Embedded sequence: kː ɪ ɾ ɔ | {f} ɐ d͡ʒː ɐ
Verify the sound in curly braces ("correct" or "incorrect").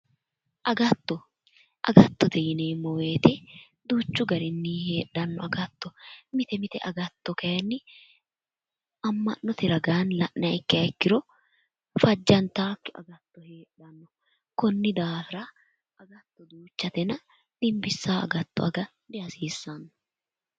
correct